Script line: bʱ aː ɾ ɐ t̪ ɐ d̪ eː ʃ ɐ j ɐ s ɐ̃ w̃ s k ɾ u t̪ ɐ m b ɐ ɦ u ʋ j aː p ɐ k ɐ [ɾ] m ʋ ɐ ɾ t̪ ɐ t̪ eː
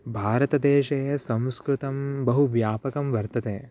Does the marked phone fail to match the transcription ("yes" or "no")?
yes